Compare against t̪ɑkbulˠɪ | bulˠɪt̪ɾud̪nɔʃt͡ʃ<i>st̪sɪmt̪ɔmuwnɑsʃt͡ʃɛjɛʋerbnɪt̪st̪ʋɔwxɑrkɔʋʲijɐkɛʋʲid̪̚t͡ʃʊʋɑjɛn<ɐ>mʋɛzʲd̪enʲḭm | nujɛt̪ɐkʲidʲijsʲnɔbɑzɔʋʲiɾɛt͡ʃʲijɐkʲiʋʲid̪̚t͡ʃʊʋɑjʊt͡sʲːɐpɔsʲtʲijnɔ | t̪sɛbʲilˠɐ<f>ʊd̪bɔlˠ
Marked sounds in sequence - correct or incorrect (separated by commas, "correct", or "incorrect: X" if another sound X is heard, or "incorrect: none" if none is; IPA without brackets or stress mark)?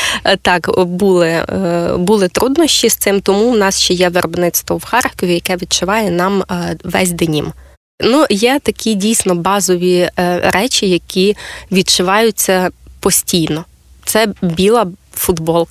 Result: correct, incorrect: ɑ, correct